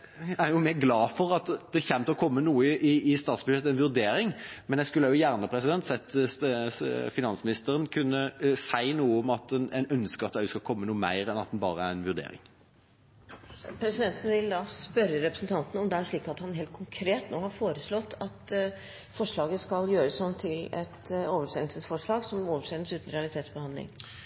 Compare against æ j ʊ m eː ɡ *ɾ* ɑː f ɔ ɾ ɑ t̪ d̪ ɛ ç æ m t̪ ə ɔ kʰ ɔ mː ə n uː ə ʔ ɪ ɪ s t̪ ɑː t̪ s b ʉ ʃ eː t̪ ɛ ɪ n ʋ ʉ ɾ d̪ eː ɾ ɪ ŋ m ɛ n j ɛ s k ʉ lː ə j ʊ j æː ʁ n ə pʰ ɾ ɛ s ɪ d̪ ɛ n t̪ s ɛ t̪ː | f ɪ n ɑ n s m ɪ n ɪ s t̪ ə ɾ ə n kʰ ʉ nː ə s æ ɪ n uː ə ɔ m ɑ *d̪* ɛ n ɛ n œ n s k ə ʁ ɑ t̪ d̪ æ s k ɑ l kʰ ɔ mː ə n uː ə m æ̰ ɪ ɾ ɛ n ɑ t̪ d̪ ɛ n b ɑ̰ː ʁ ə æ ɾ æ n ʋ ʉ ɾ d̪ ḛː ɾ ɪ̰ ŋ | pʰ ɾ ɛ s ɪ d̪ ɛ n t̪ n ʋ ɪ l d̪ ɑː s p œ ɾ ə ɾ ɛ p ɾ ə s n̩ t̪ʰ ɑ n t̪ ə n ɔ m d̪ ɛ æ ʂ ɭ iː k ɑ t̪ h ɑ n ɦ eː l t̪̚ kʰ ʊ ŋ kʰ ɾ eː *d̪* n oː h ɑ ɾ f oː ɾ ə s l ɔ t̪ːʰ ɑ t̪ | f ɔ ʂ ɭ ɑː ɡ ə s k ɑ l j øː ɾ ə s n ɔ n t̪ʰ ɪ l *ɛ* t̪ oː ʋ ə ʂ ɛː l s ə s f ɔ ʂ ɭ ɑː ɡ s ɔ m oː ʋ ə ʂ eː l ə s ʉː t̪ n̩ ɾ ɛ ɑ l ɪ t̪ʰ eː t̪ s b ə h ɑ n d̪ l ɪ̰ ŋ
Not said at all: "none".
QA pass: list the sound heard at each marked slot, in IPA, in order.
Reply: l, t̪, t̪, ɛ

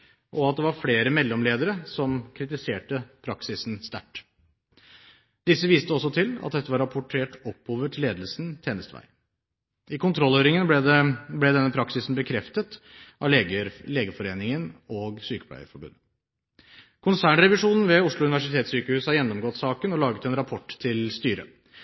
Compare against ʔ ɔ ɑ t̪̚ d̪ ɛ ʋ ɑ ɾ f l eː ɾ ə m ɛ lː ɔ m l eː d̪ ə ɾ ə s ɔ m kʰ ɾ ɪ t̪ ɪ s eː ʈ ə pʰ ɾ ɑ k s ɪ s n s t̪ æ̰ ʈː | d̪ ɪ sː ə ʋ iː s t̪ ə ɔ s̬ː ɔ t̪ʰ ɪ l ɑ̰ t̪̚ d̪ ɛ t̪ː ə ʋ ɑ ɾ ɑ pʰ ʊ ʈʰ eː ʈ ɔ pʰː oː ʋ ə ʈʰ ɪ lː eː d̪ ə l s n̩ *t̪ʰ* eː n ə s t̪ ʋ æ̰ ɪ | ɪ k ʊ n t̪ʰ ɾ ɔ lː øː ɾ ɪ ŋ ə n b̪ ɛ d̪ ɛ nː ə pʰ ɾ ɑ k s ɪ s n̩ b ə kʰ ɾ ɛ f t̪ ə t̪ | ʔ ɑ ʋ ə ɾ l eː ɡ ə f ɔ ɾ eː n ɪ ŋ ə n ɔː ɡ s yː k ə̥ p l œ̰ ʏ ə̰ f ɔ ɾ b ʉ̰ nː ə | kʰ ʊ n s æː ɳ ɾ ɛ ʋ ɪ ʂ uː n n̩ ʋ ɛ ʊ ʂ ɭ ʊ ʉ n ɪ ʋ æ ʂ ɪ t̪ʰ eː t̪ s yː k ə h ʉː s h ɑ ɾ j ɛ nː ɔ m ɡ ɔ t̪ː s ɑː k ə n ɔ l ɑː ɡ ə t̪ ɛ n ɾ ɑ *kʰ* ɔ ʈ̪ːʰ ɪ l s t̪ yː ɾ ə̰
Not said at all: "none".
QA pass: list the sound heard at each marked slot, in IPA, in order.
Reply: t̪ʰ, pʰ

